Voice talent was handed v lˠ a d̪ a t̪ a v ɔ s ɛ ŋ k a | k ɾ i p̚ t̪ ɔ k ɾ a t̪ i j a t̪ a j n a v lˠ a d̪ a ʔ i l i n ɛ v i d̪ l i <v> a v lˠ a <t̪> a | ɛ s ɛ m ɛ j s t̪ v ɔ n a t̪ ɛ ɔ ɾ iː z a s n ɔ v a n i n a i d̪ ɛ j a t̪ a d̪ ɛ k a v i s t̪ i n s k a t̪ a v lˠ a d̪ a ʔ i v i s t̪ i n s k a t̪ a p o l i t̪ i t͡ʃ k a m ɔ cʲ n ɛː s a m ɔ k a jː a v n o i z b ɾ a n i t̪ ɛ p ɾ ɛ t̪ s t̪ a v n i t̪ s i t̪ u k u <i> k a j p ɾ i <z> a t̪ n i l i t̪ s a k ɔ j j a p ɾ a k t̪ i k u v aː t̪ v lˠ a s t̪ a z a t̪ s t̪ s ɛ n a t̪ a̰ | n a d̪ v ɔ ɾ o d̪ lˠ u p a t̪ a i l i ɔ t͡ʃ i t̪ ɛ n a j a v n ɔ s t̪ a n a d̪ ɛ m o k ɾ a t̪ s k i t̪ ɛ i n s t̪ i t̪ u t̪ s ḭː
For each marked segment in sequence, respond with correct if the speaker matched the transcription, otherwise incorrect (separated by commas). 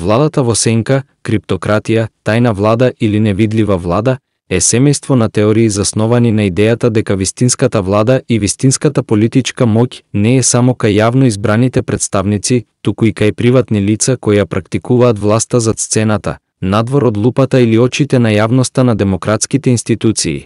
correct, incorrect, correct, incorrect